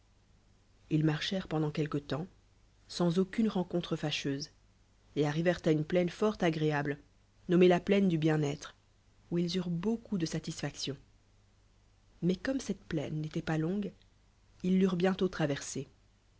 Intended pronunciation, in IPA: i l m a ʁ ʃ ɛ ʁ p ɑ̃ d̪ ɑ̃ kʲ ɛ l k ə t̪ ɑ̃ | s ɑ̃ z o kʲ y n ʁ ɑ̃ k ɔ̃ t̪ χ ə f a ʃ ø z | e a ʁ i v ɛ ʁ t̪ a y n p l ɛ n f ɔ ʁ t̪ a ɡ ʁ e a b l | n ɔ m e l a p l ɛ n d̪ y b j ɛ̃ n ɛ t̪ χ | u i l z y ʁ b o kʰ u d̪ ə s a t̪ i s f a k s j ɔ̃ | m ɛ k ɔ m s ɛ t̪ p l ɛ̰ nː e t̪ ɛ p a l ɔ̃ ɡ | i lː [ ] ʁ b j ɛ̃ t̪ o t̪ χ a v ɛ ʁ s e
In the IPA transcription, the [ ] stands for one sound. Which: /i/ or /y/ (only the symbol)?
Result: y